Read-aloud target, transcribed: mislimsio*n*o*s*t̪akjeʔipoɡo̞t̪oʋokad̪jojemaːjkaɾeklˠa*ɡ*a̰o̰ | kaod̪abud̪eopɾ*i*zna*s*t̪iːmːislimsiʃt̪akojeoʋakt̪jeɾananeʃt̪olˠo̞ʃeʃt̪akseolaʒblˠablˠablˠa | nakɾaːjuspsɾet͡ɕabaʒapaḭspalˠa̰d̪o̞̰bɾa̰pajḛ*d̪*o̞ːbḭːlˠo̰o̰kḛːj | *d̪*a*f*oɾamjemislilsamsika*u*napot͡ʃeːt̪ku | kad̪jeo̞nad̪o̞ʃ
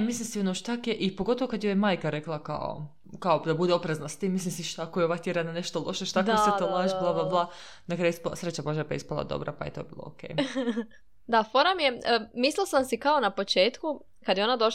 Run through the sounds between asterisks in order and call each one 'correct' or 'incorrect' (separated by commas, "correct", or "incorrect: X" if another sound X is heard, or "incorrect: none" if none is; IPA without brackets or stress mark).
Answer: correct, incorrect: ʃ, incorrect: k, incorrect: e, correct, incorrect: t̪, correct, correct, incorrect: o